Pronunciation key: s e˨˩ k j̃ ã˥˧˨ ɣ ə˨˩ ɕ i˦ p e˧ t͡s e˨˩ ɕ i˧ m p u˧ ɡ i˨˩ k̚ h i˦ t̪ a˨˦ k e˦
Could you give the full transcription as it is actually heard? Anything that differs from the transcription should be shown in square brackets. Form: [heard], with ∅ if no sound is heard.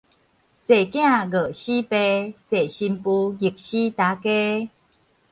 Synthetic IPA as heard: [t͡s] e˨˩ k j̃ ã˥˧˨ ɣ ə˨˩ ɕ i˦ p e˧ t͡s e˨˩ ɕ i˧ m p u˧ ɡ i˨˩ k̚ [ɕ] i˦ t̪ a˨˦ k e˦